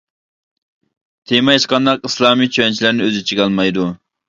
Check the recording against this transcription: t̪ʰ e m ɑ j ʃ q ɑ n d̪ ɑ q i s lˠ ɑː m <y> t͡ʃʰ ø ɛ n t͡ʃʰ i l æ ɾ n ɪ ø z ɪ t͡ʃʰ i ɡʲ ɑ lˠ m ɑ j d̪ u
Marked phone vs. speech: incorrect: i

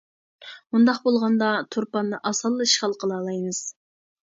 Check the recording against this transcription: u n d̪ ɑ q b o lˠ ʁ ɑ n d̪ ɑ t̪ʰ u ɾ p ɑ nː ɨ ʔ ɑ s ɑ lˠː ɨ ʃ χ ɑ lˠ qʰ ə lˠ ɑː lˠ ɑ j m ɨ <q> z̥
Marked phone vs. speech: incorrect: none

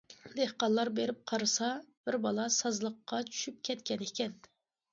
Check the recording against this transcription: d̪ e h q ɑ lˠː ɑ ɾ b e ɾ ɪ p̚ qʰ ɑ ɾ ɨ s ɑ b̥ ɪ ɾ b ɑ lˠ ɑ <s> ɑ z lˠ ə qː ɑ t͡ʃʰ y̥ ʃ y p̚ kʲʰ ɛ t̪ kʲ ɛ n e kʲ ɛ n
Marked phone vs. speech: correct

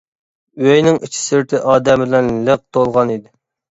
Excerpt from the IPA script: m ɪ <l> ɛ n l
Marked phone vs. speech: correct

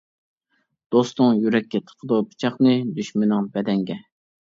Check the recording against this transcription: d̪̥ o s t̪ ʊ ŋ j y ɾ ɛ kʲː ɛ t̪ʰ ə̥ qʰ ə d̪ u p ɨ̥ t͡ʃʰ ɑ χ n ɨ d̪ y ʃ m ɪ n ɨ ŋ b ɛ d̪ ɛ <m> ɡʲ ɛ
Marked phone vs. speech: incorrect: ŋ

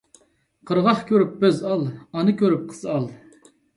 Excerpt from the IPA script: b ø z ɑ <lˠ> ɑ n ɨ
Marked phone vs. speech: correct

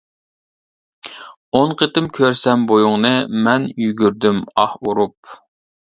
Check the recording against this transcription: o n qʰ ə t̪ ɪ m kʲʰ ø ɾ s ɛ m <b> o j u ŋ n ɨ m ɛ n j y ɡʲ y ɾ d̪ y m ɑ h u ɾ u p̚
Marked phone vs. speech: correct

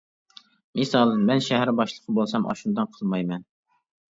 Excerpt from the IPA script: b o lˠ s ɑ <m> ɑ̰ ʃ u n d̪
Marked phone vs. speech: correct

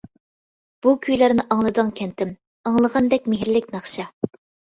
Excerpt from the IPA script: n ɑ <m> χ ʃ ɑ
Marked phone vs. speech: incorrect: none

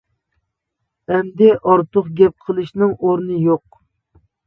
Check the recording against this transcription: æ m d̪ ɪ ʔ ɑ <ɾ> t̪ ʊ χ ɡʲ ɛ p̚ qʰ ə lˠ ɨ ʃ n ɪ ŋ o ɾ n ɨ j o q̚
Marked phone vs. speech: correct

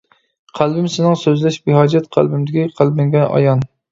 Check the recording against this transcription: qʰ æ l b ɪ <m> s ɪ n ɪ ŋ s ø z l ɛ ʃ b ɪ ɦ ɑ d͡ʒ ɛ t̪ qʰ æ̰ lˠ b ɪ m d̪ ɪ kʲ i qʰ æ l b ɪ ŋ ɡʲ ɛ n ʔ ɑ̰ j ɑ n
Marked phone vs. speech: correct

